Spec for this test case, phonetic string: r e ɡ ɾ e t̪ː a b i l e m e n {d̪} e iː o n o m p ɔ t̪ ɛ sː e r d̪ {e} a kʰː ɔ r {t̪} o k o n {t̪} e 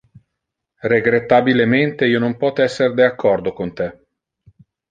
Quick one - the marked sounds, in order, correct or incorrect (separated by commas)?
incorrect, correct, incorrect, correct